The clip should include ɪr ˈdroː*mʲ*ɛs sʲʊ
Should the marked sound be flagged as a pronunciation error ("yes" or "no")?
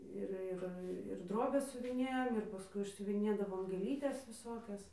yes